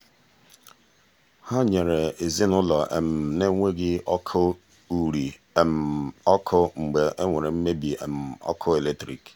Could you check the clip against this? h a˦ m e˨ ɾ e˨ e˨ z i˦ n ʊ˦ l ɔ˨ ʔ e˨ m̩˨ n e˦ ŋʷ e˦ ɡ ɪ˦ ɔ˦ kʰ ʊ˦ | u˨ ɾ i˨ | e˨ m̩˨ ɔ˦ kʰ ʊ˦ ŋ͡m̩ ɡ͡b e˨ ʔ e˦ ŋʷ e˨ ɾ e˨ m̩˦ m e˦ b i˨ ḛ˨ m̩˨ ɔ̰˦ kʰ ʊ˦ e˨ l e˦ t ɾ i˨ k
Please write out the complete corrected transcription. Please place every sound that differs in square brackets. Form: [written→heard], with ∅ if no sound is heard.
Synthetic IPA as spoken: h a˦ [m→ɲ] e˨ ɾ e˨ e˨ z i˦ n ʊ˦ l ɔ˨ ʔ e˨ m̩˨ n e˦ ŋʷ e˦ ɡ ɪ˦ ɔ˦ kʰ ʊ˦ | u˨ ɾ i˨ | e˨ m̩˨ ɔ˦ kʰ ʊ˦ ŋ͡m̩ ɡ͡b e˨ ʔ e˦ ŋʷ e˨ ɾ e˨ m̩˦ m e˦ b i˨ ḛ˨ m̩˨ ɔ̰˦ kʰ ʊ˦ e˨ l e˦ t ɾ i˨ k